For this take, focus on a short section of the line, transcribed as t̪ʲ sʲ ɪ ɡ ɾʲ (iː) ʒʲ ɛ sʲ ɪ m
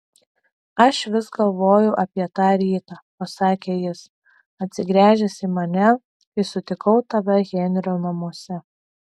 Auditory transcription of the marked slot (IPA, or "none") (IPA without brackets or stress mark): æː